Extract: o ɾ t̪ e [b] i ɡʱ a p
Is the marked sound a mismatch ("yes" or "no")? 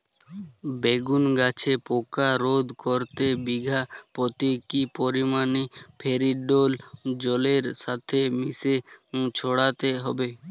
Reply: no